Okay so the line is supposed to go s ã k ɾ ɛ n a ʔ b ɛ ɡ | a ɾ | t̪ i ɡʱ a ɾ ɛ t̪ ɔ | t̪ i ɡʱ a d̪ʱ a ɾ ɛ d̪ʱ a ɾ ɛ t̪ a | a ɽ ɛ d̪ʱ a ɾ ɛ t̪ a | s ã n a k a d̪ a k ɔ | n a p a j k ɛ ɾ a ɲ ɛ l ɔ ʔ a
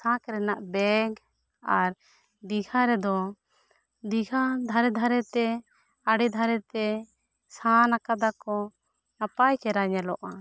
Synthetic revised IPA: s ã k ɾ ɛ n a ʔ b ɛ ɡ | a ɾ | d̪ i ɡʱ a ɾ ɛ d̪ ɔ | d̪ i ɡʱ a d̪ʱ a ɾ ɛ d̪ʱ a ɾ ɛ t̪ ɛ | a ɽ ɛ d̪ʱ a ɾ ɛ t̪ ɛ | s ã n a k a d̪ a k ɔ | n a p a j k ɛ ɾ a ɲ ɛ l ɔ ʔ a